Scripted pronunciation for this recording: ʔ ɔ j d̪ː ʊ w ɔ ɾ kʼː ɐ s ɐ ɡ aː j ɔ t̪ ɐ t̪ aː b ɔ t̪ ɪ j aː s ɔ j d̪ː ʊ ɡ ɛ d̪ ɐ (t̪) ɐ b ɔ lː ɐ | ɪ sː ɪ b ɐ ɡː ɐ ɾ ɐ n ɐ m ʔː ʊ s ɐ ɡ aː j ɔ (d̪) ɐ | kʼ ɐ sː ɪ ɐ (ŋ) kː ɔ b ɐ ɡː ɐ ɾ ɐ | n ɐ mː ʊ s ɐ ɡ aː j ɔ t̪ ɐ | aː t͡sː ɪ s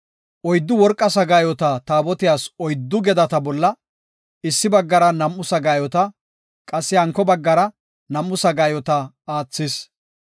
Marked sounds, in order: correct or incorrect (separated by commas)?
correct, incorrect, correct